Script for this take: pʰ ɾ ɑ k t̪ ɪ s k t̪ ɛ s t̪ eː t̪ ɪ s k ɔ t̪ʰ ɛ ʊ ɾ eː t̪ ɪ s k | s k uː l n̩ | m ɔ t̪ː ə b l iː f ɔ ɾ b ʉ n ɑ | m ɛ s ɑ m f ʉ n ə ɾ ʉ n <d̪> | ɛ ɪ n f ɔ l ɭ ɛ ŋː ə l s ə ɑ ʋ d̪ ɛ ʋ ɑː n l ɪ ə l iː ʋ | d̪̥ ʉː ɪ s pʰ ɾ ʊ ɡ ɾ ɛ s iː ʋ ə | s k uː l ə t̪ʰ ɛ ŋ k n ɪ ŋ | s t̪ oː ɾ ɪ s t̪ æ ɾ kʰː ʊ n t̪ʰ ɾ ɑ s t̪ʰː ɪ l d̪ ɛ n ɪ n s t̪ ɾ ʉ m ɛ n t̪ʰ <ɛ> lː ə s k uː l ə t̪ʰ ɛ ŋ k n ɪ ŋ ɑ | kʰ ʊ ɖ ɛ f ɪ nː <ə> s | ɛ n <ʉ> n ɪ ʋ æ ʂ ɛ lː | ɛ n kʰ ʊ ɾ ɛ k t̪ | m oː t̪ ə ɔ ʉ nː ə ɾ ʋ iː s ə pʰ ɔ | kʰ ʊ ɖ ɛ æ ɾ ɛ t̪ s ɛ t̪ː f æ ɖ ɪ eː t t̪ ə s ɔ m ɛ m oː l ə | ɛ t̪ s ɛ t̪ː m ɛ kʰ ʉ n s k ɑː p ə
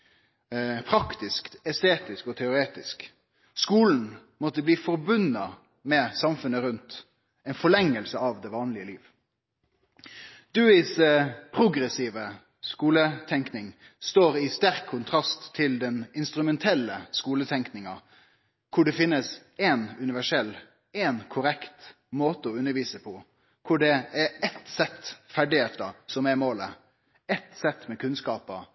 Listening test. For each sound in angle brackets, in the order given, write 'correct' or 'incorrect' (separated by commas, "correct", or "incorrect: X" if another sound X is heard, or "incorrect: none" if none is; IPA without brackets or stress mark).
incorrect: t̪, correct, correct, correct